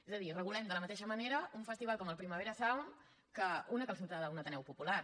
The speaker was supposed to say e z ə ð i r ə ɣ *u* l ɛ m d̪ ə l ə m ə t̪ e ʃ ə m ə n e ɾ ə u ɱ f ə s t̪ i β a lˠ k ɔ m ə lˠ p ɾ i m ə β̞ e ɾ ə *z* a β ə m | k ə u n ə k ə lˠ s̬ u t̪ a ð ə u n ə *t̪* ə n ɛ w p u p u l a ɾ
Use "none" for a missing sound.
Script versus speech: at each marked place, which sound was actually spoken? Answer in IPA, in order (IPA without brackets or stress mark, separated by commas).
u, s, t̪